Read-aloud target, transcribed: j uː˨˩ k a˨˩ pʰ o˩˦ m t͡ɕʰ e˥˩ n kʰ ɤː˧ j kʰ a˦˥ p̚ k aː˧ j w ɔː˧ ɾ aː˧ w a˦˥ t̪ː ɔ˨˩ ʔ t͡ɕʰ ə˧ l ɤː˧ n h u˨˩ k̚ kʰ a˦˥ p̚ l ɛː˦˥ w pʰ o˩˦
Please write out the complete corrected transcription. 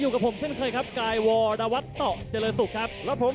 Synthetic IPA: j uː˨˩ k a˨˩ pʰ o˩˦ m t͡ɕʰ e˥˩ n kʰ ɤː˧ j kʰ a˦˥ p̚ k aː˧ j w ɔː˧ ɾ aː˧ w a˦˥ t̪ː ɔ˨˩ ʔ t͡ɕ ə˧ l ɤː˧ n s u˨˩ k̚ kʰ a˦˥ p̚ l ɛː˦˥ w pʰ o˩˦